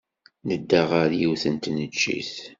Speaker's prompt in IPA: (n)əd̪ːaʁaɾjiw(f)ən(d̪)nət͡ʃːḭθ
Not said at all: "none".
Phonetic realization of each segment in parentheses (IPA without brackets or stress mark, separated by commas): n, θ, t̪